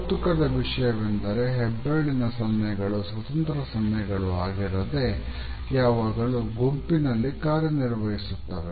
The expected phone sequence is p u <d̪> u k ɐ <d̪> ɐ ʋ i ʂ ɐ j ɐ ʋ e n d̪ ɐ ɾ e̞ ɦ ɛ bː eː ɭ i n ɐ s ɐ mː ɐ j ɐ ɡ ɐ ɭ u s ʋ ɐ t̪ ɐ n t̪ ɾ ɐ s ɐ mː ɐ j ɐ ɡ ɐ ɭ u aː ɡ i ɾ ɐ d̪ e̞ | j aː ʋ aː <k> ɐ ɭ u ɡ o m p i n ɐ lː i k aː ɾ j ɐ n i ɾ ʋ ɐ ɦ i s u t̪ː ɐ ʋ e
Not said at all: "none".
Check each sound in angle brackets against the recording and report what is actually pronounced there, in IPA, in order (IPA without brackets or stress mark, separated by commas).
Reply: t̪, d̪, ɡ